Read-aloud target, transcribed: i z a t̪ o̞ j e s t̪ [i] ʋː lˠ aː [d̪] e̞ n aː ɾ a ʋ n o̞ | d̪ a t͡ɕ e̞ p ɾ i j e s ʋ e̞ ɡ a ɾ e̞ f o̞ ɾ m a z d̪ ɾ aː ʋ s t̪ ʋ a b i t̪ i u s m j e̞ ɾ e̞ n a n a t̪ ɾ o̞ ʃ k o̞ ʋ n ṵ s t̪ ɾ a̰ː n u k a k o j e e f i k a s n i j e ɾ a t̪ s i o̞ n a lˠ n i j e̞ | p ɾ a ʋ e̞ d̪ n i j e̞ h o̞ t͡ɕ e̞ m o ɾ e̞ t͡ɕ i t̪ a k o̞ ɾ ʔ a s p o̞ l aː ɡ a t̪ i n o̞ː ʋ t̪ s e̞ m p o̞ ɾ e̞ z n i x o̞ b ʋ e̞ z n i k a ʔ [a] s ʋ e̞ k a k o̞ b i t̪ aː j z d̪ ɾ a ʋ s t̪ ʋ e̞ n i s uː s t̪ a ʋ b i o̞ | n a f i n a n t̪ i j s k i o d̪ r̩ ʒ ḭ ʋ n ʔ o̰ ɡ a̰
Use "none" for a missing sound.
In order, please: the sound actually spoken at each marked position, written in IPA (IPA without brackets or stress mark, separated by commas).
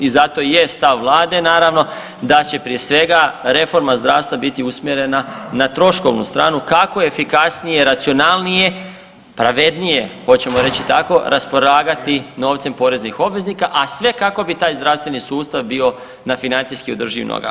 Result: a, d̪, a